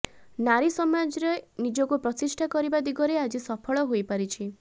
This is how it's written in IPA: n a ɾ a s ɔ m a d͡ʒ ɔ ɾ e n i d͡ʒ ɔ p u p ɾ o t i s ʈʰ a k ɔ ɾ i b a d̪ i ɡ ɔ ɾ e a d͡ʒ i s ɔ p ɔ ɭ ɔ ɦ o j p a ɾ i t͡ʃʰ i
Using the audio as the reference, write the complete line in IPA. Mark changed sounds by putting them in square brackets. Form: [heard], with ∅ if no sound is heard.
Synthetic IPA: n a ɾ [i] s ɔ m a d͡ʒ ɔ ɾ e n i d͡ʒ ɔ [k] u p ɾ [ɔ] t i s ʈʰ a k ɔ ɾ i b a d̪ i ɡ ɔ ɾ e a d͡ʒ i s ɔ [pʰ] ɔ ɭ ɔ ɦ o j p a ɾ i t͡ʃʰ i